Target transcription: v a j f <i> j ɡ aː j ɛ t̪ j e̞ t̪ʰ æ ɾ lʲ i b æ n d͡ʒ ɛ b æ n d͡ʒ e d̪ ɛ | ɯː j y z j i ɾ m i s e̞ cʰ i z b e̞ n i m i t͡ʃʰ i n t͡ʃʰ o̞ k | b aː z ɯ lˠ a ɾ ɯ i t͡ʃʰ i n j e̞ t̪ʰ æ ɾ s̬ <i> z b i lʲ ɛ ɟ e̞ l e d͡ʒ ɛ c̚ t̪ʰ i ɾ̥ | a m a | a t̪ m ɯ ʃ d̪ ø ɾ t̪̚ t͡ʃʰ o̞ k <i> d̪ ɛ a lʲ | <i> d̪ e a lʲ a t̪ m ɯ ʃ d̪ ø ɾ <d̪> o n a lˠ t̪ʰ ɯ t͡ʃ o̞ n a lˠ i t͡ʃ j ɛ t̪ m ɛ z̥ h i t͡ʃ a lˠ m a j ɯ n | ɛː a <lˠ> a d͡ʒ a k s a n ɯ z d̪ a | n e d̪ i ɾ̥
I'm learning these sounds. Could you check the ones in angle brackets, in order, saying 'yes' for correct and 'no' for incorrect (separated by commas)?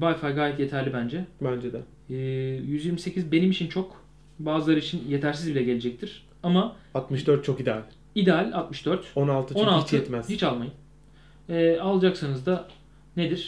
no, yes, yes, yes, no, yes